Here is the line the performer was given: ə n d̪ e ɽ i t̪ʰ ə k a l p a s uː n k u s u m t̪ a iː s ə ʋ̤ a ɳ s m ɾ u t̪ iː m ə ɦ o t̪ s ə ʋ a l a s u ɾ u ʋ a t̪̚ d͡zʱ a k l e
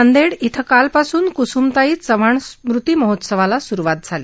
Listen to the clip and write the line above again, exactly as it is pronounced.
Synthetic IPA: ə n d̪ e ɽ i t̪ʰ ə k a l p a s uː n k u s u m t̪ a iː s ə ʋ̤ a ɳ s m ɾ u t̪ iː m ə ɦ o t̪ s ə ʋ a l a s u ɾ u ʋ a t̪̚ d͡zʱ a l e